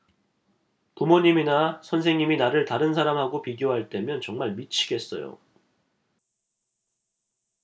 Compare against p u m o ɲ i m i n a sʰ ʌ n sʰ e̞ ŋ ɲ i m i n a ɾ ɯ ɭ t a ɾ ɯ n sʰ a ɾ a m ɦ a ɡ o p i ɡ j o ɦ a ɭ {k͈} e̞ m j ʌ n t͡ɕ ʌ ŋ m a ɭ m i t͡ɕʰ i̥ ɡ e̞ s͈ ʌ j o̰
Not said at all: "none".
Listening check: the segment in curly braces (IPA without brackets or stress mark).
t͈